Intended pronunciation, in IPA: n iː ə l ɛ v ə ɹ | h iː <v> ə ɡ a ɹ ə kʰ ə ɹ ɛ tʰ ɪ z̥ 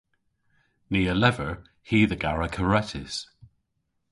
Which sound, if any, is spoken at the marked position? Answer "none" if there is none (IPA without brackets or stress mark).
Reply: ð